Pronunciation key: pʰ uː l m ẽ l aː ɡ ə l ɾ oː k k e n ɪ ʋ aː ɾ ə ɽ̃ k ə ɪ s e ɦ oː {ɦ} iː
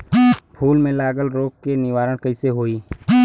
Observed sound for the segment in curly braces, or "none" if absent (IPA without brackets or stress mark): none